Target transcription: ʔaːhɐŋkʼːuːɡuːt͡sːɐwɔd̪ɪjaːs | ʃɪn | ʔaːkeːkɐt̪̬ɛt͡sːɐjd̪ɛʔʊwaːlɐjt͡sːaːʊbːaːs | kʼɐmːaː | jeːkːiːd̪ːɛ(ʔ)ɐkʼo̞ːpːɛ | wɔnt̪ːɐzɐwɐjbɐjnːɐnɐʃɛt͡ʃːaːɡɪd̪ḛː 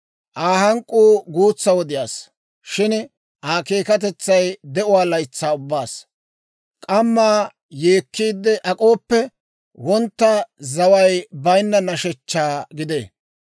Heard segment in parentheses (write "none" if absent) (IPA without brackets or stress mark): ʔ